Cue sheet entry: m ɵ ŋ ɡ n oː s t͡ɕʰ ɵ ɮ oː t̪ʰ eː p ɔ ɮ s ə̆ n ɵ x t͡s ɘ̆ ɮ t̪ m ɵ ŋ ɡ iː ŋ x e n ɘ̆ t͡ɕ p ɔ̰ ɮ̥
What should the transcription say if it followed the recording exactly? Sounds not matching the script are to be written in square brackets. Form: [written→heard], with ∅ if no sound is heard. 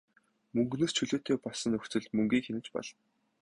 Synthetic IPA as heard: m ɵ ŋ ɡ n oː s t͡ɕʰ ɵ ɮ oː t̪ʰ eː p ɔ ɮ s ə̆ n ɵ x t͡s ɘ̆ ɮ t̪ m ɵ ŋ ɡ iː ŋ x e n ɘ̆ t͡ɕ p ɔ̰ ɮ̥